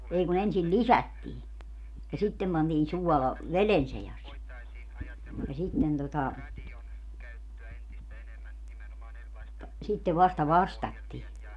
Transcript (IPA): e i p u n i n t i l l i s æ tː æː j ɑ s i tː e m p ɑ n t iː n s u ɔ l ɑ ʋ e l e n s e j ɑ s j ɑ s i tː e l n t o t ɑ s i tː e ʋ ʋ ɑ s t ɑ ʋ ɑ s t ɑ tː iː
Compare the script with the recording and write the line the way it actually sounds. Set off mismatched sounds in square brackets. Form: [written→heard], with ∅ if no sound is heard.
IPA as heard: e i [p→k] u n [i→e] n [t→s] i l l i s æ tː [æː→iː] j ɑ s i tː e m p ɑ n t iː n s u ɔ l ɑ ʋ e l e n s e j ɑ s j ɑ s i tː e [l→∅] n t o t ɑ s i tː e ʋ ʋ ɑ s t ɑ ʋ ɑ s t ɑ tː iː